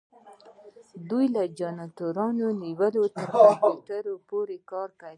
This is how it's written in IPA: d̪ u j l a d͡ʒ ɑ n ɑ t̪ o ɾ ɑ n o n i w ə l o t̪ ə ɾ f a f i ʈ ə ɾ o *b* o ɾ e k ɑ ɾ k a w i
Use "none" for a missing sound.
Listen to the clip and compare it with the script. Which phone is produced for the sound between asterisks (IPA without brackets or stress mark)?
p